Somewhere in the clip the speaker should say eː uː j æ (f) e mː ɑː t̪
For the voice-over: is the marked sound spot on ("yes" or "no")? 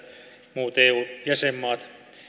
no